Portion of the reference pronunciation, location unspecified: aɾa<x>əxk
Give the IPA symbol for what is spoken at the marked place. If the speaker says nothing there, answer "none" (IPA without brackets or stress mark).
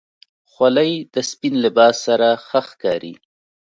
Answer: x